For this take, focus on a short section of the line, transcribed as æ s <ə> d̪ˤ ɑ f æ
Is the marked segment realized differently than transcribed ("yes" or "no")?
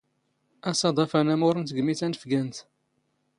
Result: yes